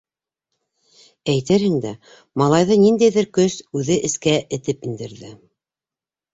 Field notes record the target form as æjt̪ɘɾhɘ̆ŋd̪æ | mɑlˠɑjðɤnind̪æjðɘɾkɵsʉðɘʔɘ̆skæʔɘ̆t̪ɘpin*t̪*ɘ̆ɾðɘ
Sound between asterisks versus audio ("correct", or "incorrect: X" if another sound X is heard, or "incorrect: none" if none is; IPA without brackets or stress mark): incorrect: d̪